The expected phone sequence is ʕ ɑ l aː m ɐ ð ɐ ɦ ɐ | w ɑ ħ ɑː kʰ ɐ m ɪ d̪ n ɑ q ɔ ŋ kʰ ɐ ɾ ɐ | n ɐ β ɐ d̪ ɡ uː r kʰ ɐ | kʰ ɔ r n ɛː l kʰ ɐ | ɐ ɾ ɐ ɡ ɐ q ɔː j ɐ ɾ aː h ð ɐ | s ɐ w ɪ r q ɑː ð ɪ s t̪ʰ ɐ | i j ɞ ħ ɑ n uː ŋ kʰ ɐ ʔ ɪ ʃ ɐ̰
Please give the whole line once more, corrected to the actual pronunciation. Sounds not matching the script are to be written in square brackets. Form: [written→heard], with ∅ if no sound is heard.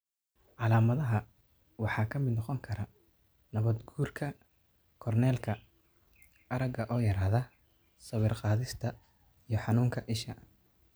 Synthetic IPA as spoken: ʕ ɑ l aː m ɐ ð ɐ ɦ ɐ | w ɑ ħ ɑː kʰ ɐ m ɪ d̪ n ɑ q ɔ ŋ kʰ ɐ ɾ ɐ | n ɐ β ɐ d̪ ɡ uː r kʰ ɐ | kʰ ɔ r n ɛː l kʰ ɐ | ɐ ɾ ɐ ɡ ɐ [q→ʔ] ɔː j ɐ ɾ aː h ð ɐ | s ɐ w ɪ r q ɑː ð ɪ s t̪ʰ ɐ | i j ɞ ħ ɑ n uː ŋ kʰ ɐ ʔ ɪ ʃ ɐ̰